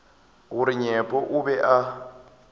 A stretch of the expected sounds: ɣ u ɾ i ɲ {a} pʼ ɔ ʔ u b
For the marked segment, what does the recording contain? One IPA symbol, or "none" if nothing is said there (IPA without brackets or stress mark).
ɛ